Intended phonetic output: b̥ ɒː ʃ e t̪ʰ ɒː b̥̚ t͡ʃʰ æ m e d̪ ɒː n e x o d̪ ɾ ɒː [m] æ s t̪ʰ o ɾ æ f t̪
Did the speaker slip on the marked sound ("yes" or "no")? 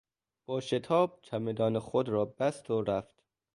yes